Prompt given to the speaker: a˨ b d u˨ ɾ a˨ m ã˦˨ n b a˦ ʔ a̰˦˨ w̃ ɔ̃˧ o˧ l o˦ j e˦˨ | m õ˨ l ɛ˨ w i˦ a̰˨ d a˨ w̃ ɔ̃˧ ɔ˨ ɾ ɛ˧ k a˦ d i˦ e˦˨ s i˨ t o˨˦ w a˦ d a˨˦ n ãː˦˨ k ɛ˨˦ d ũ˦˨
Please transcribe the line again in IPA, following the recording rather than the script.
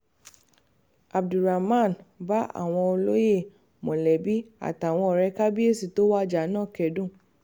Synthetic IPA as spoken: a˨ b d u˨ ɾ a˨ m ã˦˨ n b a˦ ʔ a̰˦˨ w̃ ɔ̃˧ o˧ l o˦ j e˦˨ | m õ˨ l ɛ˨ b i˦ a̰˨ t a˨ w̃ ɔ̃˧ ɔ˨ ɾ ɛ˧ k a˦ b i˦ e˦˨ s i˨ t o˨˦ w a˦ d͡ʒ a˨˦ n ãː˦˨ k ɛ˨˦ d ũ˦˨

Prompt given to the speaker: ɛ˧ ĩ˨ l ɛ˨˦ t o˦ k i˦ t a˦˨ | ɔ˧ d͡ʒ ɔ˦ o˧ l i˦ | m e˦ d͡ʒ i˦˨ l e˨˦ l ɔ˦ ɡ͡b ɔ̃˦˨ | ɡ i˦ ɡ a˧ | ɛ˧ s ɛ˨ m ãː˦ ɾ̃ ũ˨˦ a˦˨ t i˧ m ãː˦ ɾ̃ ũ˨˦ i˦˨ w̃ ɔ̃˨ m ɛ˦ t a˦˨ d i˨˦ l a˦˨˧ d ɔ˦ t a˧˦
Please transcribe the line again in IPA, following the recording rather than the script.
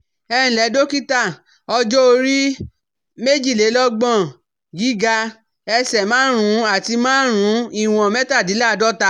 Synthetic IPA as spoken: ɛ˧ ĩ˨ l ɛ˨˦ d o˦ k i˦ t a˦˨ | ɔ˧ d͡ʒ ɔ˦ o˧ ɾ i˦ | m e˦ d͡ʒ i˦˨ l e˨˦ l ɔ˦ ɡ͡b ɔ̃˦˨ | ɡ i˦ ɡ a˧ | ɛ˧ s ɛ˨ m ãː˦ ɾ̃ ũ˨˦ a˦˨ t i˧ m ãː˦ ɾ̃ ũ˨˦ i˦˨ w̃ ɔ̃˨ m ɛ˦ t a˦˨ d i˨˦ l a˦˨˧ d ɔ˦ t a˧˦

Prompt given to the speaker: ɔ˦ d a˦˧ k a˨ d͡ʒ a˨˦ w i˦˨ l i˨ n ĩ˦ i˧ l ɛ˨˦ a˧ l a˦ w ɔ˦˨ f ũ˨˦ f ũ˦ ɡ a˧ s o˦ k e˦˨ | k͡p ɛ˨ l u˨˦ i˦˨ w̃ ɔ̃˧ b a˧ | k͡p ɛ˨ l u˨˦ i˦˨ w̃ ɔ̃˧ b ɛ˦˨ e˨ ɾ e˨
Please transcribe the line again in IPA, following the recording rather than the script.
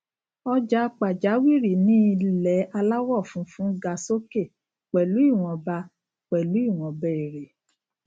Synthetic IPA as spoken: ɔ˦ d͡ʒ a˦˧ k͡p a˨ d͡ʒ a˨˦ w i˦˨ ɾ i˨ n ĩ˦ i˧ l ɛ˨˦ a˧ l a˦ w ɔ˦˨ f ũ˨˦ f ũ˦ ɡ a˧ s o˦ k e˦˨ | k͡p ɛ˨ l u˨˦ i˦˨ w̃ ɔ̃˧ b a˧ | k͡p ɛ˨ l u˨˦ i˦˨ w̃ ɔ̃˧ b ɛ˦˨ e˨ ɾ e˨

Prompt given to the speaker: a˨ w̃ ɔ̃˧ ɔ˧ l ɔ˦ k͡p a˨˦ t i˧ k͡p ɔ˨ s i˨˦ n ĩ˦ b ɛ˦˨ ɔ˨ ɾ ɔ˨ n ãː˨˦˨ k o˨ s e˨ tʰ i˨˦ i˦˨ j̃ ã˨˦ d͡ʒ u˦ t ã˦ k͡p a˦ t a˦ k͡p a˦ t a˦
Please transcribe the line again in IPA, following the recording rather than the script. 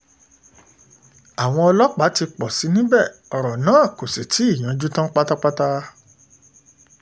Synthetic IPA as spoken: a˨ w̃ ɔ̃˧ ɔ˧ l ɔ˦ k͡p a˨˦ t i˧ k͡p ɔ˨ s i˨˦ n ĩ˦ b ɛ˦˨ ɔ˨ ɾ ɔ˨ n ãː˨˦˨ k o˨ s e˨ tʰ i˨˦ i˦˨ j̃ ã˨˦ d͡ʒ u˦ t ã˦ k͡p a˦ t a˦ k͡p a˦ t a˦

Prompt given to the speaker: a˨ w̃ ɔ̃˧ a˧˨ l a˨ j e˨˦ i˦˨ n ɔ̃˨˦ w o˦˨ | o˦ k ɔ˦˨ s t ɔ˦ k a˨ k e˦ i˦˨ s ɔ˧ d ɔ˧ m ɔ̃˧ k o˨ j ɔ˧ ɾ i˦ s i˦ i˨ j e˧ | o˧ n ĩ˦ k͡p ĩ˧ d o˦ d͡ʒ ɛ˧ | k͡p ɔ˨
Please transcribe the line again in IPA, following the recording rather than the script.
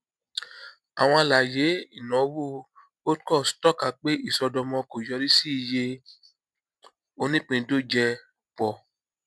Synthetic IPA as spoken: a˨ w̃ ɔ̃˧ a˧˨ l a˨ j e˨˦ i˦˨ n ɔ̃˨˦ w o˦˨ | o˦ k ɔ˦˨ s t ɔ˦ k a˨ k͡p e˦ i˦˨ s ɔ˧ d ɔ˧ m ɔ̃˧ k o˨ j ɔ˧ ɾ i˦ s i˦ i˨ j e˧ | o˧ n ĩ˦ k͡p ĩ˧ d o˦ d͡ʒ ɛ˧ | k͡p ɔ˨

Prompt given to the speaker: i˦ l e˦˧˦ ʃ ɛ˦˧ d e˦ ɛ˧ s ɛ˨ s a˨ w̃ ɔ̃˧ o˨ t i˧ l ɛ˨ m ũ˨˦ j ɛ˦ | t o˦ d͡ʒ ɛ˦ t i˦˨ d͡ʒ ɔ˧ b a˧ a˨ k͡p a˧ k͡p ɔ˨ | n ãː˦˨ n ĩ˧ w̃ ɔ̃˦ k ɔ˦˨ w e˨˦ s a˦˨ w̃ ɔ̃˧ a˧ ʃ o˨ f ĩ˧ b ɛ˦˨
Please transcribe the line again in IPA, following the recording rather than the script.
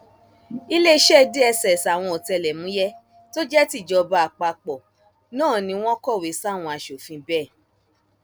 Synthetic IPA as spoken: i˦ l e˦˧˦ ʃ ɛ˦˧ d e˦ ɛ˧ s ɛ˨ s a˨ w̃ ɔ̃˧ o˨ t ɛ˧ l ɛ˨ m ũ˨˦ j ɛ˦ | t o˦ d͡ʒ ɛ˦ t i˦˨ d͡ʒ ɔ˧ b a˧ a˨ k͡p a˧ k͡p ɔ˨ | n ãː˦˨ n ĩ˧ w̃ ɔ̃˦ k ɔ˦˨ w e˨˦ s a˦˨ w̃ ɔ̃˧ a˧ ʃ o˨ f ĩ˧ b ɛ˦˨

